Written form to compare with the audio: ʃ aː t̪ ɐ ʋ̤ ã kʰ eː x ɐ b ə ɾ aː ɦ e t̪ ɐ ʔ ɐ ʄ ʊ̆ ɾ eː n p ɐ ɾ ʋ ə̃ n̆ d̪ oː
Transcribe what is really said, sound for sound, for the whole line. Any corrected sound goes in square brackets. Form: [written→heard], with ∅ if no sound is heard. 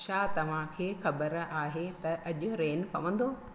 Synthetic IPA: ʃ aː t̪ ɐ ʋ̤ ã kʰ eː x ɐ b ə ɾ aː ɦ e t̪ ɐ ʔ ɐ ʄ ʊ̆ ɾ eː n p ɐ [ɾ→∅] ʋ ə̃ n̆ d̪ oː